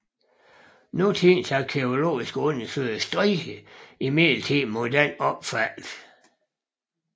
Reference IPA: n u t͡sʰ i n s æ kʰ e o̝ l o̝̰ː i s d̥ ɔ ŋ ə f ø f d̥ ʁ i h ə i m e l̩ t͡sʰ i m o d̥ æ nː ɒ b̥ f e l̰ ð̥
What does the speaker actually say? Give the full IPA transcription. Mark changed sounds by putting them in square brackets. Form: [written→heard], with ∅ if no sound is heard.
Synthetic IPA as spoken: n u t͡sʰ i n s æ kʰ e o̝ l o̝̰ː i s [d̥→ɡ̥] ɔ [ŋ→n] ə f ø [f→s] d̥ ʁ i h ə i m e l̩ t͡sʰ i m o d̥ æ [nː→n] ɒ b̥ f [e→æ] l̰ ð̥